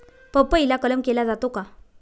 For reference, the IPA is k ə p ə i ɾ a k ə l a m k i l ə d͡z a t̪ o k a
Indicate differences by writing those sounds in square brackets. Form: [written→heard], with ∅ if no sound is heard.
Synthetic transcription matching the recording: [k→p] ə p ə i [ɾ→l] a k ə l [a→ə] m k [i→e] l [ə→a] d͡z a t̪ o k a